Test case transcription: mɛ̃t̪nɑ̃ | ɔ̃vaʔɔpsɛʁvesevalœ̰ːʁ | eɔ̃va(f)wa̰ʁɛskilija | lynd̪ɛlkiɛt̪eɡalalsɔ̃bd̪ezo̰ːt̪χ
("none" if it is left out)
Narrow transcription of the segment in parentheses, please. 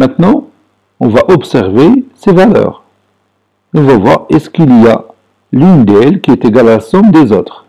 v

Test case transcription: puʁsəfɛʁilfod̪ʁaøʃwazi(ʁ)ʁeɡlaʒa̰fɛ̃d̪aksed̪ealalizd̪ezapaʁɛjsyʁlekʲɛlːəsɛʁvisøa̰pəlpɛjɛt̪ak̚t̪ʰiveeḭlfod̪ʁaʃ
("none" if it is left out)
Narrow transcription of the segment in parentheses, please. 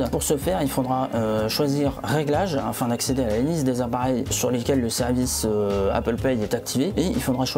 ʁ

